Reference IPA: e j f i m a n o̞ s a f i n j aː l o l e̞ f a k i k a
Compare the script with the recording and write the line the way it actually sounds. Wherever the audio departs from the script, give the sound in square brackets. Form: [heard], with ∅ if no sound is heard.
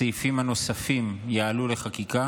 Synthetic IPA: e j f i m a n o̞ s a f i [m] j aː l [u] l e̞ [χ] a k i k a